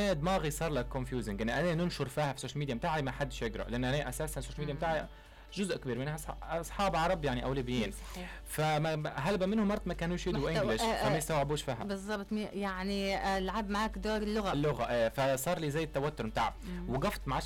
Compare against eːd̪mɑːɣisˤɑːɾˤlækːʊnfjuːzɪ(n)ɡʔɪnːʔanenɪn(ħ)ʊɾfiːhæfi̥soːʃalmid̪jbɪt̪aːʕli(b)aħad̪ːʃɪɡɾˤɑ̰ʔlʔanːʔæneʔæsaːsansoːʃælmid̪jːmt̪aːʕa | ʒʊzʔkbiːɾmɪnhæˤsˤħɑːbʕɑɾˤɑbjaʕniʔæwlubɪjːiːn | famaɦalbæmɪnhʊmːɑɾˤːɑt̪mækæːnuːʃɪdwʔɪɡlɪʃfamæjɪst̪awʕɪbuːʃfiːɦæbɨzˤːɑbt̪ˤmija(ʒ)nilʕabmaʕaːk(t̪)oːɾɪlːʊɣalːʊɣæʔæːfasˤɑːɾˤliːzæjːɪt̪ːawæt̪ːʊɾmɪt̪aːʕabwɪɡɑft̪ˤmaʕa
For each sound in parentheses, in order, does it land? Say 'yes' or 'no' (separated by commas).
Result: no, no, no, no, no